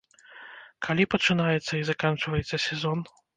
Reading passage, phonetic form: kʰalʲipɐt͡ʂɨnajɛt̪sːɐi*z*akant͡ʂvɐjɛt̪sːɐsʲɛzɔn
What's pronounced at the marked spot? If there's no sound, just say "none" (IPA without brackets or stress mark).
z